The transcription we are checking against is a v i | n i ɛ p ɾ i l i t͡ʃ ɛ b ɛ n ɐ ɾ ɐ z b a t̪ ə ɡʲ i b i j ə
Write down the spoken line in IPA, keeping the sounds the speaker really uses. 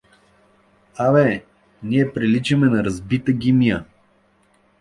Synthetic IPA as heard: a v ɛ | n i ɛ p ɾ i l i t͡ʃ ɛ m ɛ n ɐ ɾ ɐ z b i t̪ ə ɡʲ i m i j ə

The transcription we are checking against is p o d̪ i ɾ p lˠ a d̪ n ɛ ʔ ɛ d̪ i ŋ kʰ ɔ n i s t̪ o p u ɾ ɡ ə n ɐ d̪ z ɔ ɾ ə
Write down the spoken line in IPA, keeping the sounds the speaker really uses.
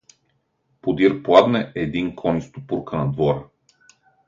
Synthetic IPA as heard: p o d̪ i ɾ p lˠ a d̪ n ɛ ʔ ɛ d̪ i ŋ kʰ ɔ n i s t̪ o p u ɾ k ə n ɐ d̪ v ɔ ɾ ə

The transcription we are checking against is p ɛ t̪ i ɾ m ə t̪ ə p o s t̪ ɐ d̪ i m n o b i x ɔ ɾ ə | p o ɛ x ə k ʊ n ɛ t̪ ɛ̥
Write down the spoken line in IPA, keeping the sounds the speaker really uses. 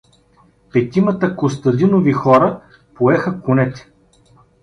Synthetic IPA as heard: p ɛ t̪ i m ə t̪ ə k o s t̪ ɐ d̪ i n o v i x ɔ ɾ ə | p o ɛ x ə k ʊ n ɛ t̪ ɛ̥

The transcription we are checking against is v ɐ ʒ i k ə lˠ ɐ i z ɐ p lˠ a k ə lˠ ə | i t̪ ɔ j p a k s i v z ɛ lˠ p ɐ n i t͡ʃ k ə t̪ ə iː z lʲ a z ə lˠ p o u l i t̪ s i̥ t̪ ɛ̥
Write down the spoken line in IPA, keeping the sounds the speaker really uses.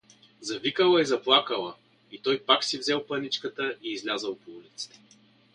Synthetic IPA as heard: z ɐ v i k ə lˠ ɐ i z ɐ p lˠ a k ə lˠ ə | i t̪ ɔ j p a k s i v z ɛ lˠ p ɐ n i t͡ʃ k ə t̪ ə iː z lʲ a z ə lˠ p o u l i t̪ s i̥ t̪ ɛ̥

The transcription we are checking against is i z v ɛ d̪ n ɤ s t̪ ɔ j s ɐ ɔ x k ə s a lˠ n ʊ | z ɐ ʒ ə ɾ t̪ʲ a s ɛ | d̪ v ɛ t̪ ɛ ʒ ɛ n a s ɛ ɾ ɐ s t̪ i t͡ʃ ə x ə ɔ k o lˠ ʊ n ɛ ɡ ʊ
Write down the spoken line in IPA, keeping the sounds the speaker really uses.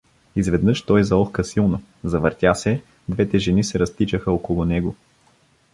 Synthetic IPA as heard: i z v ɛ d̪ n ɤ ʃ t̪ ɔ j z ɐ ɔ x k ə s i lˠ n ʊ | z ɐ v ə ɾ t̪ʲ a s ɛ | d̪ v ɛ t̪ ɛ ʒ ɛ n i s ɛ ɾ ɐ s t̪ i t͡ʃ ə x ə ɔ k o lˠ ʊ n ɛ ɡ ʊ

